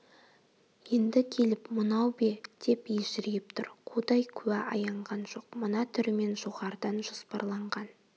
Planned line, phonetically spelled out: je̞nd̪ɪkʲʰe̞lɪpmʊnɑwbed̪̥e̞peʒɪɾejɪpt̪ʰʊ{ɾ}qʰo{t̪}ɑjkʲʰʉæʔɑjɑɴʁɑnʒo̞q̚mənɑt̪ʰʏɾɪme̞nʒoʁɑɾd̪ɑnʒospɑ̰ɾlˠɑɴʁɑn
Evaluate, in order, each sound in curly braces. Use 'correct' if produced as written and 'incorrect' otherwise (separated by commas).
correct, incorrect